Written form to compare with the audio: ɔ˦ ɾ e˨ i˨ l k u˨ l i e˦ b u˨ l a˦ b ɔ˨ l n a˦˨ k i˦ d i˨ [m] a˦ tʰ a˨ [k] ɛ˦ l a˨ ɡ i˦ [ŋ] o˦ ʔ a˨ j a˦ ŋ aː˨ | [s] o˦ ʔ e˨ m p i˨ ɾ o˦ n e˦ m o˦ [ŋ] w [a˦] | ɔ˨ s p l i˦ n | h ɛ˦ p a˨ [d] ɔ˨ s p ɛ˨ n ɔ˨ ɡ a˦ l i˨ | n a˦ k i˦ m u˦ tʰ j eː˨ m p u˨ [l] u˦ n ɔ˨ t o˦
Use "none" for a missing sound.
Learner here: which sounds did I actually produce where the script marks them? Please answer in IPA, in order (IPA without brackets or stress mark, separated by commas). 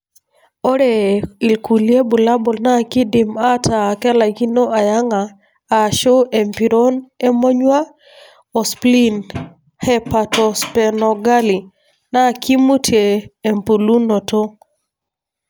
m, k, n, ʃ, ɲ, a˦, t, l